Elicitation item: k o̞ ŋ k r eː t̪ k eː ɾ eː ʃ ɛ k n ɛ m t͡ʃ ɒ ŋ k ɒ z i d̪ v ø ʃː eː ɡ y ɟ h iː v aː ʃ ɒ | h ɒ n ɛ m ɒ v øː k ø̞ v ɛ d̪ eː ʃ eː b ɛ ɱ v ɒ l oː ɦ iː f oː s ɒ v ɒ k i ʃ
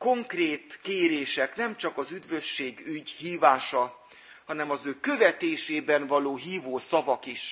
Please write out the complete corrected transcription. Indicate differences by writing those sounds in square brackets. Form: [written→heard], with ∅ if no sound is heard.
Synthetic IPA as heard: k o̞ ŋ k r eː t̪ k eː ɾ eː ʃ ɛ k n ɛ m t͡ʃ ɒ [ŋ→∅] k ɒ z [i→y] d̪ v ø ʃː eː ɡ y ɟ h iː v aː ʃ ɒ | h ɒ n ɛ m ɒ [v→z] øː k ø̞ v ɛ [d̪→t̪] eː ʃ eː b ɛ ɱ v ɒ l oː ɦ iː [f→v] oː s ɒ v ɒ k i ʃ